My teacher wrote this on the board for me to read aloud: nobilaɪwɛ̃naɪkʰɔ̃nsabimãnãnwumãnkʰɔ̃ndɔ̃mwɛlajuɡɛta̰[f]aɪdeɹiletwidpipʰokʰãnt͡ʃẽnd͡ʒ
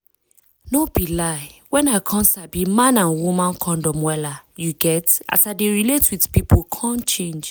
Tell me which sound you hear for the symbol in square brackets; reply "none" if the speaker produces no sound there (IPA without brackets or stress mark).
s